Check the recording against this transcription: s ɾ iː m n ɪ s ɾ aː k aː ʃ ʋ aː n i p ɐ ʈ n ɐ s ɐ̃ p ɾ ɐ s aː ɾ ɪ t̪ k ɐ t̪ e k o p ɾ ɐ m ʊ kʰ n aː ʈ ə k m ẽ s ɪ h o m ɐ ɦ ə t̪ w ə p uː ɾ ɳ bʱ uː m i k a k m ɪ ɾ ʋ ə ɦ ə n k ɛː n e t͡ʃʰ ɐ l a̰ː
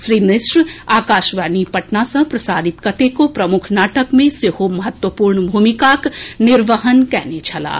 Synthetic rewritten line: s ɾ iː m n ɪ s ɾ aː k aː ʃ ʋ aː n i p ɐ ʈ n a s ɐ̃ p ɾ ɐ s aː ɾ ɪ t̪ k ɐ t̪ e k o p ɾ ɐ m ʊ kʰ n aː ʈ ə k m ẽ s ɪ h o m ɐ ɦ ə t̪ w ə p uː ɾ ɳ bʱ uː m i k a k n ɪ ɾ ʋ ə ɦ ə n k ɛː n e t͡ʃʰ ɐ l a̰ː